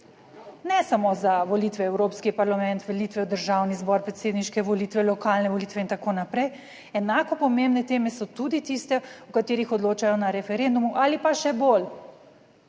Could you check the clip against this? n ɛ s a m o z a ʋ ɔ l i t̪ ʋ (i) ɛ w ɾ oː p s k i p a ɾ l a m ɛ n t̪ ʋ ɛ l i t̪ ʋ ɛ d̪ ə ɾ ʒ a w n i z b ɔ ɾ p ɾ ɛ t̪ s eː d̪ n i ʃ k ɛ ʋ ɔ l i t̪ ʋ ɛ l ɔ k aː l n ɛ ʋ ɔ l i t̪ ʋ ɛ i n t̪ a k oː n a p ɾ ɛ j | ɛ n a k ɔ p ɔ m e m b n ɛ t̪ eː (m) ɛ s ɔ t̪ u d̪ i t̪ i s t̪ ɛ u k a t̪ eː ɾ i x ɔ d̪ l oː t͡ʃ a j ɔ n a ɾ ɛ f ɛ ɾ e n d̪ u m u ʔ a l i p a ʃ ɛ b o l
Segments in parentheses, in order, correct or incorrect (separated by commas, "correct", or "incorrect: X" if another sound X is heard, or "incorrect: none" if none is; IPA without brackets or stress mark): incorrect: ɛ, correct